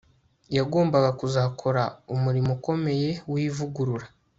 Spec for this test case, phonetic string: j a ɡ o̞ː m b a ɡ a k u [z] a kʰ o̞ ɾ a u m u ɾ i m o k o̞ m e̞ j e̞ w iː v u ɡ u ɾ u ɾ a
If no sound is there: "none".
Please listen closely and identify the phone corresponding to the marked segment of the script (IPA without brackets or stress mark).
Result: z